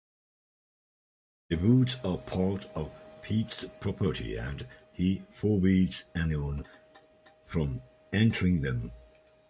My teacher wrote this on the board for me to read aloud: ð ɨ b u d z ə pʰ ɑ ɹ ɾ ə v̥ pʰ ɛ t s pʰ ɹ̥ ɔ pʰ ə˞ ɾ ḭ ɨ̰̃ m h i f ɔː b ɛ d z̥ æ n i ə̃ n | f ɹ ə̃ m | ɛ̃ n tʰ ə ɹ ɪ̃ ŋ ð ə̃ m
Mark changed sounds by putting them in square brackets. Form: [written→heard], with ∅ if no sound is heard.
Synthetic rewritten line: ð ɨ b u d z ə pʰ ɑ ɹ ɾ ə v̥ pʰ [ɛ→i] t s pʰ ɹ̥ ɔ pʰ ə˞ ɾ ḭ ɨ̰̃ [m→n] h i f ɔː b [ɛ→i] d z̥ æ n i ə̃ n | f ɹ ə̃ m | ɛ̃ n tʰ ə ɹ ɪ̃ ŋ ð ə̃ m